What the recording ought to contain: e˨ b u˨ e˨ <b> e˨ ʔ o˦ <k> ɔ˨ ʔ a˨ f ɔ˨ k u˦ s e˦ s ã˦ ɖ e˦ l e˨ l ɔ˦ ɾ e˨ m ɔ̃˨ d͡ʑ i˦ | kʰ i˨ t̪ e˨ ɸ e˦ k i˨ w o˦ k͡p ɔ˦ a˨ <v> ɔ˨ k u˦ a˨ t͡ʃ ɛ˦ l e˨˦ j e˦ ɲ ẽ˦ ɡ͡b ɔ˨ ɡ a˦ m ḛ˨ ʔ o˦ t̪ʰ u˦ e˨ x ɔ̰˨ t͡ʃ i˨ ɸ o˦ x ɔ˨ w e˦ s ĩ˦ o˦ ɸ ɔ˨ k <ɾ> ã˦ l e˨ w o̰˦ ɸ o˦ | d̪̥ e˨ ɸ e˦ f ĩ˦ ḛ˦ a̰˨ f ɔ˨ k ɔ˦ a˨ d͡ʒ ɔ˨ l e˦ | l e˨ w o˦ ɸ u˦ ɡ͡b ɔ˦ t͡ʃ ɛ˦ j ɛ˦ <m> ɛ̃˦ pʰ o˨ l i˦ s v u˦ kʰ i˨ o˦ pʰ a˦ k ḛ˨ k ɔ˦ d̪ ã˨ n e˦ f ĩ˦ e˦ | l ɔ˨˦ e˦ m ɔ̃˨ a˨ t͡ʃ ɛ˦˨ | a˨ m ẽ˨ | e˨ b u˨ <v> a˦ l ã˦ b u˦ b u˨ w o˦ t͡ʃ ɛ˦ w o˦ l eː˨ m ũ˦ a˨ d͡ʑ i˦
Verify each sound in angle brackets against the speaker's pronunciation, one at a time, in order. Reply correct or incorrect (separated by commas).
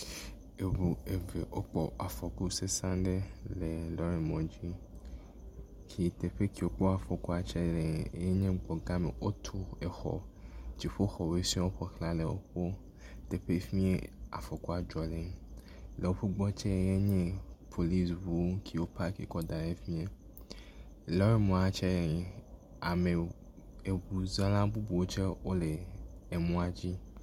incorrect, incorrect, incorrect, incorrect, incorrect, incorrect